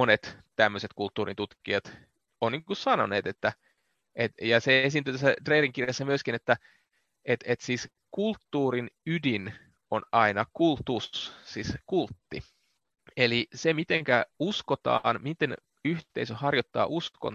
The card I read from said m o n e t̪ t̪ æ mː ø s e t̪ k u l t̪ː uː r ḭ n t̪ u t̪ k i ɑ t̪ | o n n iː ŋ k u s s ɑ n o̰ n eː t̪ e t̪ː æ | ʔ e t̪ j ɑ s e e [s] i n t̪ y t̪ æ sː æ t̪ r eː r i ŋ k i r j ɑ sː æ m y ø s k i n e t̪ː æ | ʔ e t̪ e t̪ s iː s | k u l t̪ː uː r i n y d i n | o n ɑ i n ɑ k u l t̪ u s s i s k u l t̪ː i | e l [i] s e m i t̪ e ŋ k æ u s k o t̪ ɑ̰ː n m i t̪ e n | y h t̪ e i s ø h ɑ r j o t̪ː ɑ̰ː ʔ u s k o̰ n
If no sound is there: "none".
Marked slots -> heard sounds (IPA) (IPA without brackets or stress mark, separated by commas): s, i